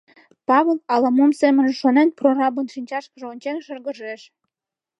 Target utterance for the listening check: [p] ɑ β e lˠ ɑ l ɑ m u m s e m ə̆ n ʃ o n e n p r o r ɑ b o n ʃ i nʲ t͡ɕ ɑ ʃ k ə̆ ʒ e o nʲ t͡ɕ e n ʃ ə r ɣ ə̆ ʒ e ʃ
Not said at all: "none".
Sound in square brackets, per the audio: p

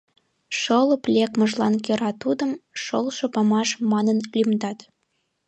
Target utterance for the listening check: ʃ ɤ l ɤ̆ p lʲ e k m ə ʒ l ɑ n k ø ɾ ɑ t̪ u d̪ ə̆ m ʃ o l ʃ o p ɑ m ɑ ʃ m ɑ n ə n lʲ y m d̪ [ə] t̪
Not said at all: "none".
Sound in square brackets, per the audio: ɑ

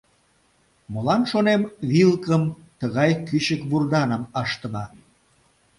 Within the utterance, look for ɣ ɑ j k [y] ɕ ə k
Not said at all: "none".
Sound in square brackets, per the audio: y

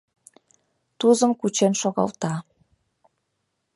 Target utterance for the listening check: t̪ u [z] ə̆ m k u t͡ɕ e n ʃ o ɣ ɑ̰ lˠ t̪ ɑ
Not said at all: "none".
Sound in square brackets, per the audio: z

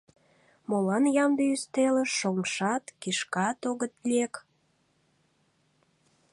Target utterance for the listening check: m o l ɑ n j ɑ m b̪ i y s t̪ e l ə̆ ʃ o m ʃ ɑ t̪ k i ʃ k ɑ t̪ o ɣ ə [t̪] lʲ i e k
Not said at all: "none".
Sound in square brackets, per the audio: t̪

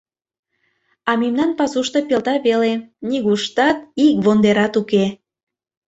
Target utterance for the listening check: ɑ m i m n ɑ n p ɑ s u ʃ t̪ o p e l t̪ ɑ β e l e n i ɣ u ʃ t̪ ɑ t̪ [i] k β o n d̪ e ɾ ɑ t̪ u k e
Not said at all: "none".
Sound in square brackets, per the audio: i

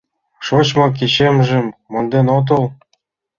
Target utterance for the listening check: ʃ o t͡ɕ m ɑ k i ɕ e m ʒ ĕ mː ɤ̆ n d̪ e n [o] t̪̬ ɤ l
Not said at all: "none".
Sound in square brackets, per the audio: o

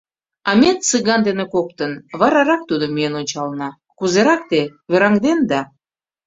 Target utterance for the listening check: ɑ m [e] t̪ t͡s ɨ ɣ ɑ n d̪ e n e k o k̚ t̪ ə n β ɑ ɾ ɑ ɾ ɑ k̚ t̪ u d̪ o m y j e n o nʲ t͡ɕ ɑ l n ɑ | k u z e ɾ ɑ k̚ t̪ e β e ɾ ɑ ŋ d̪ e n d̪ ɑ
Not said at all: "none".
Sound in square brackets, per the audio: e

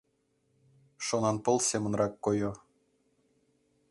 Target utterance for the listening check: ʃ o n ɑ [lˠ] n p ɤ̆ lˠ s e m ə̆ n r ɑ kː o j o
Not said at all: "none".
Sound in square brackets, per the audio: none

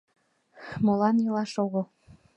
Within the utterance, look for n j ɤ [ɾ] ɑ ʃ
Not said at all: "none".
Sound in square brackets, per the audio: l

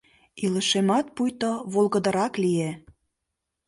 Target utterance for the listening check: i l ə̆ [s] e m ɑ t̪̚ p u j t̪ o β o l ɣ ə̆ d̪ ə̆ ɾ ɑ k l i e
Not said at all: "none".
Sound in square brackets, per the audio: ʃ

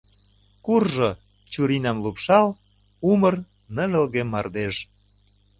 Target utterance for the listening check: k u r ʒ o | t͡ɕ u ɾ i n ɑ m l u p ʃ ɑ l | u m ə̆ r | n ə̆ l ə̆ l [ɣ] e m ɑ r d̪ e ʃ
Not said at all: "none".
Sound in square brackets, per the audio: ɣ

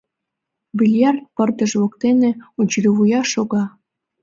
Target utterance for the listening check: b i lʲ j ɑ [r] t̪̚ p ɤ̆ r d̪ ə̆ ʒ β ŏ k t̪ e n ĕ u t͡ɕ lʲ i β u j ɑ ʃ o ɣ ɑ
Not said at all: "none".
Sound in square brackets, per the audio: r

